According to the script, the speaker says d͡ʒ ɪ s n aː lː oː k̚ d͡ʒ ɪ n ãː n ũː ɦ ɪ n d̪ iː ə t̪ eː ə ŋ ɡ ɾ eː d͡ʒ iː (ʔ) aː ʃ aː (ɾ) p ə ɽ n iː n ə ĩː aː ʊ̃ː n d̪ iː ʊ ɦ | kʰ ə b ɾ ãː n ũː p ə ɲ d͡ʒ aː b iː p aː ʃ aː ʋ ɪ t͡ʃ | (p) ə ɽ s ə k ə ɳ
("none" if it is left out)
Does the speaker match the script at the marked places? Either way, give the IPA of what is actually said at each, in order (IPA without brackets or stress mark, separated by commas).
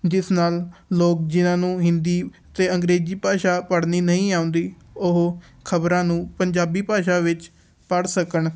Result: p, none, p